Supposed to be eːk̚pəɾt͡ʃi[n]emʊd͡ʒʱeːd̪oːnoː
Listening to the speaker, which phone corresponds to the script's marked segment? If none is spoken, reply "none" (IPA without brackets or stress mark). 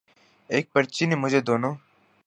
n